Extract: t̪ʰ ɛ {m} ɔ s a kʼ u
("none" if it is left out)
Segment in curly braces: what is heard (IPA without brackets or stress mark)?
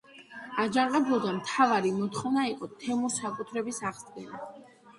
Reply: m